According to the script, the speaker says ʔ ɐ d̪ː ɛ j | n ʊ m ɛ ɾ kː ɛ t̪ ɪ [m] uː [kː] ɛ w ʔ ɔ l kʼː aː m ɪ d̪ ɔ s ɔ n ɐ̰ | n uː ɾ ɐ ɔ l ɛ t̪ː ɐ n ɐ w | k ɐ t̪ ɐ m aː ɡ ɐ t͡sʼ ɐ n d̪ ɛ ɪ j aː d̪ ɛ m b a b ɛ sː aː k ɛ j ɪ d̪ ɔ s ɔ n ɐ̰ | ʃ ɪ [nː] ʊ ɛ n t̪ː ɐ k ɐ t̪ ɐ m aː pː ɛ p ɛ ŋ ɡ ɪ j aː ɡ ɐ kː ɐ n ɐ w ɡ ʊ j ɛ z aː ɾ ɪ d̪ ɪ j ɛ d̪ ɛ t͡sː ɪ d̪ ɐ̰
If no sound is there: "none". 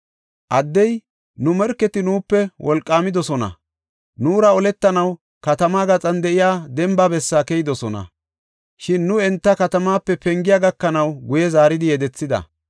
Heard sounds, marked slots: n, pː, nː

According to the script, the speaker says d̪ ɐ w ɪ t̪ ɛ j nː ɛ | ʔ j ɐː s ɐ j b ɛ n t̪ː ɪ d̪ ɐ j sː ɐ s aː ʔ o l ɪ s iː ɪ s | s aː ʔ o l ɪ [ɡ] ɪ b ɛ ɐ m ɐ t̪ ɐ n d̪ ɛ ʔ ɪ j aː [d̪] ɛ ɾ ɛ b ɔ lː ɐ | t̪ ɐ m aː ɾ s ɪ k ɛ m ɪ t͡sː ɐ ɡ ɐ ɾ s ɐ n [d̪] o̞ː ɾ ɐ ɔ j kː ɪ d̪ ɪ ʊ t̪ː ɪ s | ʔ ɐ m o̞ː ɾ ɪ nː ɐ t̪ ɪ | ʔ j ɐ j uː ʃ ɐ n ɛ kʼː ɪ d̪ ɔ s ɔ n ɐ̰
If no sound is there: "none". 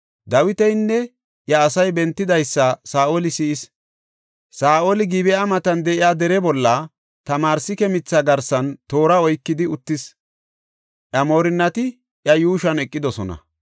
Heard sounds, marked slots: ɡ, d̪, t̪

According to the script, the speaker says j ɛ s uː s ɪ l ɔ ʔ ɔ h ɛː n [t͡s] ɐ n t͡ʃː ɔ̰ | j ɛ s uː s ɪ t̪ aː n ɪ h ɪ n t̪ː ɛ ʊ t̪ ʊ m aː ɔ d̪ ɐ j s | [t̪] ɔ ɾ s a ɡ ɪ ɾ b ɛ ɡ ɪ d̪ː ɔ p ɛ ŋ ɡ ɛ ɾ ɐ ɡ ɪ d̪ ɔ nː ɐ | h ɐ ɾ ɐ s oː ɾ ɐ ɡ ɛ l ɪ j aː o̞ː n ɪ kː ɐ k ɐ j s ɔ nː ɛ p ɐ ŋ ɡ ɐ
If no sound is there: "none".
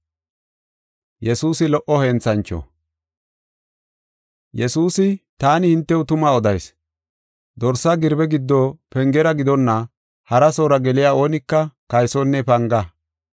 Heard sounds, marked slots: t͡s, d̪

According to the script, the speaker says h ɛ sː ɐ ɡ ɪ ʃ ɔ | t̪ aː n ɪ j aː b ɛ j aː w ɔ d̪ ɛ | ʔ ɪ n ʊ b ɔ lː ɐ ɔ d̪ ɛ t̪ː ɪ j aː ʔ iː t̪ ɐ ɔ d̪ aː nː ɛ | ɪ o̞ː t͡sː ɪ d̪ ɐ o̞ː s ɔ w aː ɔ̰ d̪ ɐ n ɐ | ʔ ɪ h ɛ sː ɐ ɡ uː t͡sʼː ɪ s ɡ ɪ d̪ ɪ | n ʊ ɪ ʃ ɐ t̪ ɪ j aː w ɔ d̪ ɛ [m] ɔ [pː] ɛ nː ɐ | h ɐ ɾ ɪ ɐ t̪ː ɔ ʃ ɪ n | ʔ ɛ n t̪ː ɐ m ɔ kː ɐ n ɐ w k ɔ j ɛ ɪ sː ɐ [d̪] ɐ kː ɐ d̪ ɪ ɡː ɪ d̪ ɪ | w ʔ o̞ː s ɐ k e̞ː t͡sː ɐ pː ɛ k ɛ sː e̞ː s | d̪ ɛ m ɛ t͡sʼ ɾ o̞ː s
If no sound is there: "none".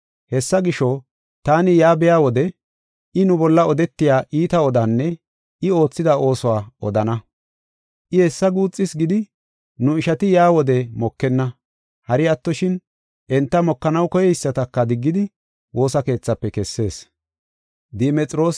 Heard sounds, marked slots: m, kː, t̪

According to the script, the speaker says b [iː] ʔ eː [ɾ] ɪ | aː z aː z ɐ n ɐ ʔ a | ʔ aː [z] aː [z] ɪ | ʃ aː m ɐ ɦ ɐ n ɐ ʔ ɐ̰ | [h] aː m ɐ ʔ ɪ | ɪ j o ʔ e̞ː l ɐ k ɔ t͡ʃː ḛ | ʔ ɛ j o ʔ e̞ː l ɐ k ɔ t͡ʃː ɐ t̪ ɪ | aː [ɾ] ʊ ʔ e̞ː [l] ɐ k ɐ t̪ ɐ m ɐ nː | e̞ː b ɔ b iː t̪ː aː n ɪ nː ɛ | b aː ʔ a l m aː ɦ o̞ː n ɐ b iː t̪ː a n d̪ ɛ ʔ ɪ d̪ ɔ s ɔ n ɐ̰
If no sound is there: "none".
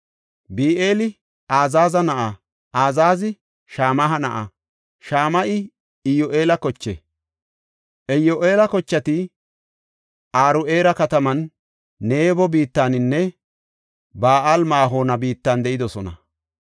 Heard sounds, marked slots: iː, l, z, z, ʃ, ɾ, ɾ

